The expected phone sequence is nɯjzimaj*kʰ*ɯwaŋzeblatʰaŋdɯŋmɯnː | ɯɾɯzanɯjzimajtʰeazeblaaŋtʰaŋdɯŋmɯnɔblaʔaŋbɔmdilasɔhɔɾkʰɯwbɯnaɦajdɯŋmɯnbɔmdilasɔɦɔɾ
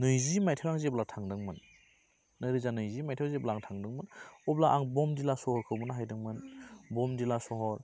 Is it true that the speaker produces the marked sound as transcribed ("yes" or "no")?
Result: no